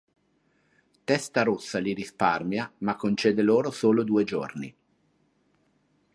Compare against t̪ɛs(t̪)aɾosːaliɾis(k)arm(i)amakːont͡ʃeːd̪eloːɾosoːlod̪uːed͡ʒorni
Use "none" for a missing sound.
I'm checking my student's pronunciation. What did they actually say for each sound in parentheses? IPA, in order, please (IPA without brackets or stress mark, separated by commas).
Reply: t̪, p, j